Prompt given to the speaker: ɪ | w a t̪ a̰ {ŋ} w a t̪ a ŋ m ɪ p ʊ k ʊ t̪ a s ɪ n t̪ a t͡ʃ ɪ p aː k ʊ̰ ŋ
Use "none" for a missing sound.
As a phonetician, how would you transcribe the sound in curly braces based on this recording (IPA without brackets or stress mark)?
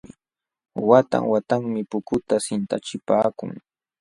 ŋ